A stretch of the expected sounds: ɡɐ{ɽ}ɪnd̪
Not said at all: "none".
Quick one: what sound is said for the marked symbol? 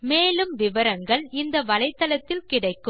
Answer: ɭ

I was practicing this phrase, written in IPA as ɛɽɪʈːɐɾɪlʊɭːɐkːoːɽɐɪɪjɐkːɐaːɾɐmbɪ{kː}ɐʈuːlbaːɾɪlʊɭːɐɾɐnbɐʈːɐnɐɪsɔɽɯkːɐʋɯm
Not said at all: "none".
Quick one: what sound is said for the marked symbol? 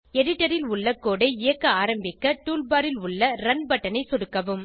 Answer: kː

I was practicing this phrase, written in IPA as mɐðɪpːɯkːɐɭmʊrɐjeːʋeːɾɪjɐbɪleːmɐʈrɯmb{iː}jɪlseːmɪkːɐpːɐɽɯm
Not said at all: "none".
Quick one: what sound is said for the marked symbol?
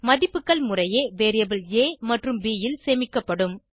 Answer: iː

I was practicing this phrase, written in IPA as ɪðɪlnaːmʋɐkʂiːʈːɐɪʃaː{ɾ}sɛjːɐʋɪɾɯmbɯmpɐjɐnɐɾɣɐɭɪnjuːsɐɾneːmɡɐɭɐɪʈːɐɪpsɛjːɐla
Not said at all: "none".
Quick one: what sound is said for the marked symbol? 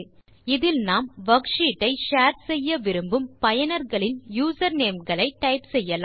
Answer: ɾ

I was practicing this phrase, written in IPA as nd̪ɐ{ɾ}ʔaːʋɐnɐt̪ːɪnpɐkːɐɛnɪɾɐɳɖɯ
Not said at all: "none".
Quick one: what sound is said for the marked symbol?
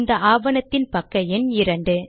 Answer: none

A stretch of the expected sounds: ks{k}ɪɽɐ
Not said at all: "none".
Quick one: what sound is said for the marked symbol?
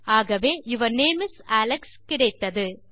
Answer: k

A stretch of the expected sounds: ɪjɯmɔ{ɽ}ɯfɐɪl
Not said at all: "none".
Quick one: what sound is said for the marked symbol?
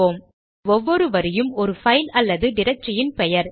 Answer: ɾ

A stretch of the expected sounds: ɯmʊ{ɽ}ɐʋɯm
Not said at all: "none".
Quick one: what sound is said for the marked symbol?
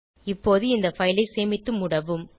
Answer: ɽ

